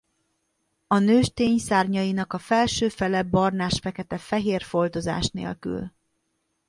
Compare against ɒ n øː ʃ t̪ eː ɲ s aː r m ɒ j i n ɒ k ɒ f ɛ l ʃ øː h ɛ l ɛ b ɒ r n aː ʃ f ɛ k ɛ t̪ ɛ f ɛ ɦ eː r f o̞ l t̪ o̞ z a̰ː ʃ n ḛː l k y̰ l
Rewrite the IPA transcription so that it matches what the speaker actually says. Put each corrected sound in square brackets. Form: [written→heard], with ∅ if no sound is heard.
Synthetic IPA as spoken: ɒ n øː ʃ t̪ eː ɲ s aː r [m→ɲ] ɒ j i n ɒ k ɒ f ɛ l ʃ øː [h→f] ɛ l ɛ b ɒ r n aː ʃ f ɛ k ɛ t̪ ɛ f ɛ ɦ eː r f o̞ l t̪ o̞ z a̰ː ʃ n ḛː l k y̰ l